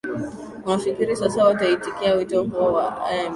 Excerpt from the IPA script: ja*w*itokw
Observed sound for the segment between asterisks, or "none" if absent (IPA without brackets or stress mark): w